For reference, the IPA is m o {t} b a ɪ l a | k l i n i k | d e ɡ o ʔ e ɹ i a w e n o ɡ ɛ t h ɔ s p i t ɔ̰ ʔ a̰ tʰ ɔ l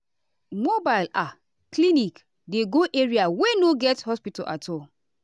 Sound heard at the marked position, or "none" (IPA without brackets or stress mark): none